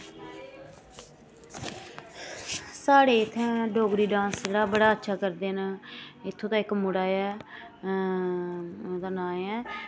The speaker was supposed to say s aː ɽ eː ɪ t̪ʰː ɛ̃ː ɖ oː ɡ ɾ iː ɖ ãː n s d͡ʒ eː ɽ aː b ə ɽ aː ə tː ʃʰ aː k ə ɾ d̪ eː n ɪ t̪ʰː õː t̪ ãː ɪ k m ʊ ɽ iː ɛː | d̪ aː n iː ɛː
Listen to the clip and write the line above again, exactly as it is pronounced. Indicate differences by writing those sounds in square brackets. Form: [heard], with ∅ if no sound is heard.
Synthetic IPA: s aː ɽ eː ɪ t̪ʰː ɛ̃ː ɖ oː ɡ ɾ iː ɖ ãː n s d͡ʒ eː ɽ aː b ə ɽ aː ə tː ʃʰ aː k ə ɾ d̪ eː n ɪ t̪ʰː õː t̪ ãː ɪ k m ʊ ɽ [aː] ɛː | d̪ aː n [aː] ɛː